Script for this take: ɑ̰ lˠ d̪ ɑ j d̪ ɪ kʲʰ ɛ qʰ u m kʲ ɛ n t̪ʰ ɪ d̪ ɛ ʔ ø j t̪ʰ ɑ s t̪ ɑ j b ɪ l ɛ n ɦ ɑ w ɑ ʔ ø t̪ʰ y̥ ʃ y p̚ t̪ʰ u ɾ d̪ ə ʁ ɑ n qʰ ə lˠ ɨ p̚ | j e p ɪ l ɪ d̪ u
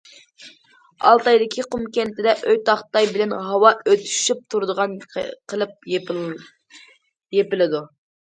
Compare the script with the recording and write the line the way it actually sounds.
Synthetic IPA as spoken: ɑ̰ lˠ t̪ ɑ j d̪ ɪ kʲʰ i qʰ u m kʲ ɛ n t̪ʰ ɪ d̪ ɛ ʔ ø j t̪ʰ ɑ χ t̪ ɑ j b ɪ l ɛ n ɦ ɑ w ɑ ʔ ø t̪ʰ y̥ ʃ y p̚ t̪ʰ u ɾ d̪ ə ʁ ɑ n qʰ ə lˠ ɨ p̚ | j e p ɪ l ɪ d̪ u